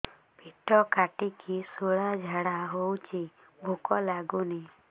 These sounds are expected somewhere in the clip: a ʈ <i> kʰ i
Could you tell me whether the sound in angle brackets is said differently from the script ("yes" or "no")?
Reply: no